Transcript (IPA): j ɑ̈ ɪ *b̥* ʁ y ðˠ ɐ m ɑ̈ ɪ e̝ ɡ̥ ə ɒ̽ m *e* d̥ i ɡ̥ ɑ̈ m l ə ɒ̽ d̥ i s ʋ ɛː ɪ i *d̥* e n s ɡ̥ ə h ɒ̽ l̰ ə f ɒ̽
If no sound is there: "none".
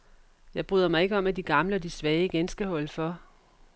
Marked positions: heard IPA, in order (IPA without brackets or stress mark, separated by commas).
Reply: b̥, æ, ɡ̥